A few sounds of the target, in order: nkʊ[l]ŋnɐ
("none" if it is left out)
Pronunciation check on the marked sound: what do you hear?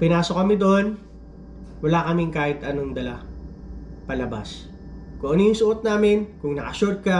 none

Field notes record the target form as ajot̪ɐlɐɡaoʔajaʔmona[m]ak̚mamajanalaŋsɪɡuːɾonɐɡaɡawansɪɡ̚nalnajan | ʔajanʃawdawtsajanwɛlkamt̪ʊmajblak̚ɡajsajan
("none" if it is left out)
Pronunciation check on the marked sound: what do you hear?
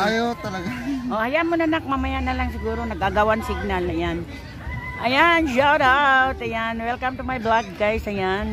n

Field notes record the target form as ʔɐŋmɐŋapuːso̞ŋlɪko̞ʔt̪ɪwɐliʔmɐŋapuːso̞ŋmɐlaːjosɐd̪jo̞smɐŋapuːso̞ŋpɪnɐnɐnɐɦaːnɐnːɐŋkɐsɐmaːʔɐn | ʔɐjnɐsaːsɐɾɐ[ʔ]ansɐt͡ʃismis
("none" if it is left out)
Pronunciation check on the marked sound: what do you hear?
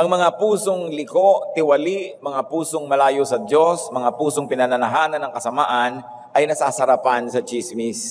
p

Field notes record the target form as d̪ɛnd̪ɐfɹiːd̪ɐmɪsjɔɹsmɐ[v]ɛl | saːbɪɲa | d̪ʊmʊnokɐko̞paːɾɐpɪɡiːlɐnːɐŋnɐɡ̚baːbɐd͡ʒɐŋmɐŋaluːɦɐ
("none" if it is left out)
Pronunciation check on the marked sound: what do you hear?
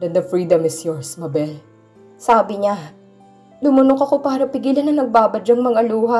b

